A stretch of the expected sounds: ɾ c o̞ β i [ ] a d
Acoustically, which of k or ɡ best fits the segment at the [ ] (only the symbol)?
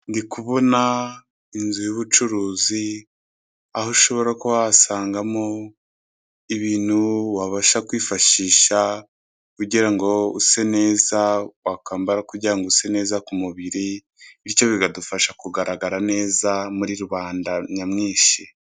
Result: ɡ